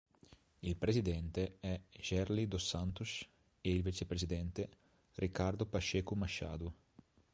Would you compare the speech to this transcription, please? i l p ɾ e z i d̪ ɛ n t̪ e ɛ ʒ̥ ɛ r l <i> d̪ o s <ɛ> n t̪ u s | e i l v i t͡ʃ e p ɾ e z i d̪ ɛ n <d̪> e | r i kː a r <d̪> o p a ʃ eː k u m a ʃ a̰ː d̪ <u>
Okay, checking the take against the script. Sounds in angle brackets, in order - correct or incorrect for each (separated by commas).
correct, incorrect, incorrect, correct, correct